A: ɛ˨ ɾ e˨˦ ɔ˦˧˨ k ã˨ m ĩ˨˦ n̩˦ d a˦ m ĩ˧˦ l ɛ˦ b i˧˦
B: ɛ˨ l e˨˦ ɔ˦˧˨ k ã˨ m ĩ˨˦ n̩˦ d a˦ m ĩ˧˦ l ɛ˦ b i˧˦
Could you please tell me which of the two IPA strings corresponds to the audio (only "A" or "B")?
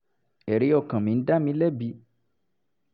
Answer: A